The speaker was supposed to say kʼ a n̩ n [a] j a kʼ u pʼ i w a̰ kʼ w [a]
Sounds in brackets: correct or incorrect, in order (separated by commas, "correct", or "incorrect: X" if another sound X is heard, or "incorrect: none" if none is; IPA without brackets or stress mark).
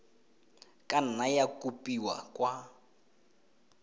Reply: correct, correct